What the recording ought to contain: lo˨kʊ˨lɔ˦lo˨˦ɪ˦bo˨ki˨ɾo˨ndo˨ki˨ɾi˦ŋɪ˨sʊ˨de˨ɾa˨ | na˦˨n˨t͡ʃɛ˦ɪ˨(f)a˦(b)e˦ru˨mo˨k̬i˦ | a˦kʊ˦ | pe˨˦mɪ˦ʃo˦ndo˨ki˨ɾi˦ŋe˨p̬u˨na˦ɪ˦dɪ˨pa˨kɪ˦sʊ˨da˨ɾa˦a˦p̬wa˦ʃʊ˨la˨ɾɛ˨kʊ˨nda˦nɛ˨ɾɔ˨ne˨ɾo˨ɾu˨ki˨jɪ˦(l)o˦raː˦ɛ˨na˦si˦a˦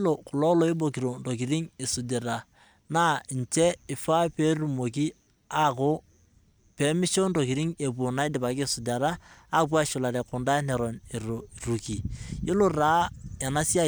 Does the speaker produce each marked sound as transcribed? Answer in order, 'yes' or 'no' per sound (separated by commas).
yes, no, yes